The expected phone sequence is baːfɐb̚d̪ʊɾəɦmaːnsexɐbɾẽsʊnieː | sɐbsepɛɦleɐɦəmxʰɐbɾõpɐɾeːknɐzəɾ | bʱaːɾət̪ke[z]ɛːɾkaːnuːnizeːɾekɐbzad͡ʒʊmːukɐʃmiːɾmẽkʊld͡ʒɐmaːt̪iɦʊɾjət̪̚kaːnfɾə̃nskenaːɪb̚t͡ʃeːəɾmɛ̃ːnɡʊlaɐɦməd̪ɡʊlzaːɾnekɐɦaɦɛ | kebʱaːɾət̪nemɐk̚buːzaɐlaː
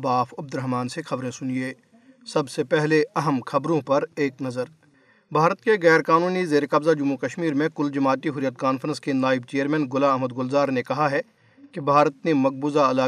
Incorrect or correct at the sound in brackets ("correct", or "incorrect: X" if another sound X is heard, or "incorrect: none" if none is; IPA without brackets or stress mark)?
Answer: incorrect: ɣ